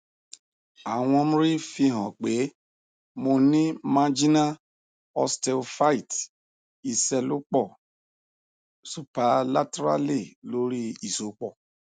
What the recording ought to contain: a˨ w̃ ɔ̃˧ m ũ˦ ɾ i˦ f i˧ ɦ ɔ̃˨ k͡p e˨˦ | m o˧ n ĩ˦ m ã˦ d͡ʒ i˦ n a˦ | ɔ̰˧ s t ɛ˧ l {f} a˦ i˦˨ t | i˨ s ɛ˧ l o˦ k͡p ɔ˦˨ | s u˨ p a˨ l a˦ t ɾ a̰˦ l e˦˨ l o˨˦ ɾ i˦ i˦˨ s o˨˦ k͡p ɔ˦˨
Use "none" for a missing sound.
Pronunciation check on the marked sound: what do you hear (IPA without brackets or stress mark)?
f